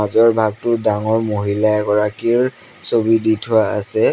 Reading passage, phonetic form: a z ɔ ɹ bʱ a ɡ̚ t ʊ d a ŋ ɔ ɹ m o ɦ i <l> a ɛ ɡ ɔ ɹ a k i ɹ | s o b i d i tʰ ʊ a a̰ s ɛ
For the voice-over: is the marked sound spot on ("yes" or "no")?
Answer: yes